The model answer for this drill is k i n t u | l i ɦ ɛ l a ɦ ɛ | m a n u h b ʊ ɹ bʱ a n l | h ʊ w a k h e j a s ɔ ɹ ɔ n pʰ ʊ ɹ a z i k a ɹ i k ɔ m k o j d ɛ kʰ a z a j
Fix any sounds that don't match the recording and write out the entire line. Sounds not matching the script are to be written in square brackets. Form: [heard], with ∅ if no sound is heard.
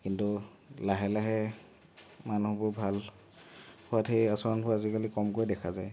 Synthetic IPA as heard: k i n t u | l [a] ɦ ɛ l a ɦ ɛ | m a n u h b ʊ ɹ bʱ a [∅] l | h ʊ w a [t] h e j a s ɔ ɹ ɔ n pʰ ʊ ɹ a z i k a [l] i k ɔ m k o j d ɛ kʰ a z a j